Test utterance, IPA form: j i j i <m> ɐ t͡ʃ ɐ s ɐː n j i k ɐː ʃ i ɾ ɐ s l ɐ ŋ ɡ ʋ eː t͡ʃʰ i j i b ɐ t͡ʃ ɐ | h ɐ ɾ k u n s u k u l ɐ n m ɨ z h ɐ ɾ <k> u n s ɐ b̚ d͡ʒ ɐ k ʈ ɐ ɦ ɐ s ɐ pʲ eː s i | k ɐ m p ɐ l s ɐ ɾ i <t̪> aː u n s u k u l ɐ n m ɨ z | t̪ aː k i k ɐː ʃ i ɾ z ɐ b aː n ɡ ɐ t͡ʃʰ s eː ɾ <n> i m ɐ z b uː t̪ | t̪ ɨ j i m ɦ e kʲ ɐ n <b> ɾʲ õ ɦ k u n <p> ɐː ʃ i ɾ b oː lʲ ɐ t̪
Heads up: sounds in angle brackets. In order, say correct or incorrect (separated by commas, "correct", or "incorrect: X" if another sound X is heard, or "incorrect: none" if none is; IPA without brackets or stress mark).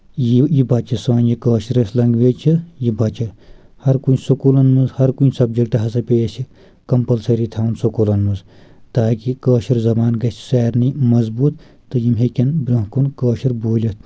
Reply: incorrect: b, correct, incorrect: t̪ʰ, correct, correct, incorrect: k